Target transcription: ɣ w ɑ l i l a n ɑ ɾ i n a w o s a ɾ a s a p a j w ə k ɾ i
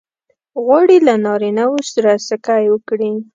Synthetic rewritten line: ɣ w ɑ ɽ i l a n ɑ ɾ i n a w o s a ɾ a s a k a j w ə k ɽ i

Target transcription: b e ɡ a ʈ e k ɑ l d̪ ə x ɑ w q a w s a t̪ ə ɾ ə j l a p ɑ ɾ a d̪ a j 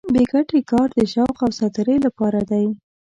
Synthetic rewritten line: b e ɡ a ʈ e k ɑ ɾ d̪ ə ʃ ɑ w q a w s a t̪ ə ɾ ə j l a p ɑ ɾ a d̪ a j

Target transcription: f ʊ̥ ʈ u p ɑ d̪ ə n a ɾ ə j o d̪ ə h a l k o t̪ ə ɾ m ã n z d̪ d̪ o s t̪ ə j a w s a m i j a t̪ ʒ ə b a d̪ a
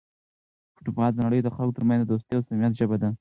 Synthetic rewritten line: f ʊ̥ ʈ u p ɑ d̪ ə n a ɽ ə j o d̪ ə x a l k o t̪ ə ɾ m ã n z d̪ d̪ o s t̪ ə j a w s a m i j a t̪ ʒ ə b a d̪ a

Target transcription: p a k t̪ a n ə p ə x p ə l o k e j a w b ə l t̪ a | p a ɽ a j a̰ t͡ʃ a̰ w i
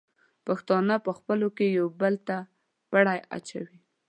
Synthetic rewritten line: p a x t̪ ɑ n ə p ə x p ə l o k e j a w b ə l t̪ a | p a ɽ a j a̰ t͡ʃ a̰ w i

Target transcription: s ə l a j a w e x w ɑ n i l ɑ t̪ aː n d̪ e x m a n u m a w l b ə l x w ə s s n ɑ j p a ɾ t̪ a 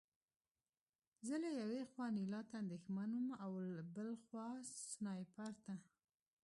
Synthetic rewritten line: z ə l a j a w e x w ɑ n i l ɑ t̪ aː n d̪ e x m a n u m a w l b ə l x w ɑ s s n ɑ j p a ɾ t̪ a

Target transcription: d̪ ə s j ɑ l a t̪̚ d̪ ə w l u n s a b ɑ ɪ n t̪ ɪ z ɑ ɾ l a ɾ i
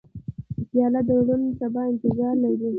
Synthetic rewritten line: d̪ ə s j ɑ l a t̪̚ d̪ ə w ɽ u n s a b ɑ ɪ n t̪ ɪ z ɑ ɾ l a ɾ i

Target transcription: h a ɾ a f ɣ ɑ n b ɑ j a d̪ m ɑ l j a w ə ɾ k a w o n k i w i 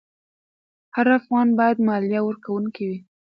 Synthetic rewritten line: h a ɾ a f ɣ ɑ n b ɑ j a d̪ m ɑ l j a w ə ɾ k a w u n k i w i

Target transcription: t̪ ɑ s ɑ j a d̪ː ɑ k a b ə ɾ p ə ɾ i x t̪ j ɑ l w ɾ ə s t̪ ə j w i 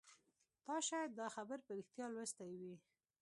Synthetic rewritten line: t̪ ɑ ʃ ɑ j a d̪ː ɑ x a b ə ɾ p ə ɾ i x t̪ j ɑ l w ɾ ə s t̪ a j w i

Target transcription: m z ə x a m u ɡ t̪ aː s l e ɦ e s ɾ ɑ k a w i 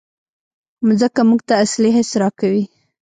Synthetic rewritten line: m z ə k a m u ɡ t̪ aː s l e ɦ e s ɾ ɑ k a w i

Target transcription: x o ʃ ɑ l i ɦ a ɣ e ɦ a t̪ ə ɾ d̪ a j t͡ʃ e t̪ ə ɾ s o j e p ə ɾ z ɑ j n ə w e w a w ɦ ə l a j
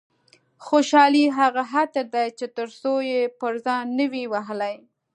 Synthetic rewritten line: x o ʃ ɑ l i ɦ a ɣ a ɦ a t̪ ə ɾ d̪ a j t͡ʃ e t̪ ə ɾ s o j e p ə ɾ z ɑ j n ə w i w a ɦ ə l a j

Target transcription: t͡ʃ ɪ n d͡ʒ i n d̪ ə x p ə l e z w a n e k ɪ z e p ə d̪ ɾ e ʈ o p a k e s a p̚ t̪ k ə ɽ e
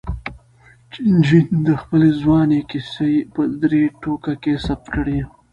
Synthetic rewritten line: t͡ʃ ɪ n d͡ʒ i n d̪ ə x p ə l e z w ɑ n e k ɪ s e p ə d̪ ɾ e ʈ o k a k e s a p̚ t̪ k ə ɽ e

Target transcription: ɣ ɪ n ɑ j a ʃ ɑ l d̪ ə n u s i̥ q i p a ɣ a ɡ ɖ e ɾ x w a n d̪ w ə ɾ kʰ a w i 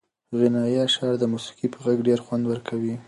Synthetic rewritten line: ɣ ɪ n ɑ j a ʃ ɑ ɾ d̪ ə m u s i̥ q i p ə ɣ a ɡ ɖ e ɾ x w a n d̪ w ə ɾ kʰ a w i

